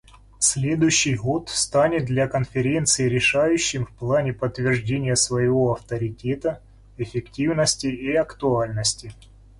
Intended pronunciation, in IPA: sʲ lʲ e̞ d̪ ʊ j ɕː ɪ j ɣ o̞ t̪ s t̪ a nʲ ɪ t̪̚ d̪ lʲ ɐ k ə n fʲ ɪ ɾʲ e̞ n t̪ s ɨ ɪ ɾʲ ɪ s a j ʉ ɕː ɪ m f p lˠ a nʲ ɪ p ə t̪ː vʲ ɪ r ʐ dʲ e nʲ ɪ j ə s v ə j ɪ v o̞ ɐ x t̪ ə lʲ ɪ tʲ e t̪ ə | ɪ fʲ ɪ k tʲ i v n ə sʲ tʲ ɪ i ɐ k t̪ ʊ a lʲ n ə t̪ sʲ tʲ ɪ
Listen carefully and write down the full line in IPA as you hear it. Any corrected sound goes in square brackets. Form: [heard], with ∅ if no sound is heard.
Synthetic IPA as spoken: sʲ lʲ e̞ d̪ ʊ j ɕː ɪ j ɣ o̞ t̪ s t̪ a nʲ ɪ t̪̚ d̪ lʲ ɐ k ə n fʲ ɪ ɾʲ e̞ n t̪ s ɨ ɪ ɾʲ ɪ [ʂ] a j ʉ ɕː ɪ m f p lˠ a nʲ ɪ p ə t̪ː vʲ ɪ r ʐ dʲ e nʲ ɪ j ə s v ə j ɪ v o̞ ɐ [f] t̪ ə [ɾʲ] ɪ tʲ e t̪ ə | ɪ fʲ ɪ k tʲ i v n ə sʲ tʲ ɪ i ɐ k t̪ ʊ a lʲ n ə [∅] sʲ tʲ ɪ